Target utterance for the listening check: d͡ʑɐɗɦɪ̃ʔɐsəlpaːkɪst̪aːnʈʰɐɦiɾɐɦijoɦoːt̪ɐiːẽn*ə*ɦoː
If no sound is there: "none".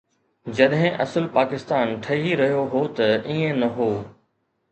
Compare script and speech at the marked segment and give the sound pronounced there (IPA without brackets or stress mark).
ɐ